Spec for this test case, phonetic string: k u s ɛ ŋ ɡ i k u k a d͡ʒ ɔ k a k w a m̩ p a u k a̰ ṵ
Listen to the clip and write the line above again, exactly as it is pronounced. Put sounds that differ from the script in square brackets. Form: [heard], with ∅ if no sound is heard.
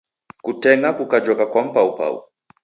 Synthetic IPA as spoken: k u [t] ɛ ŋ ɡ [a] k u k a d͡ʒ ɔ k a k w a m̩ p a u [p] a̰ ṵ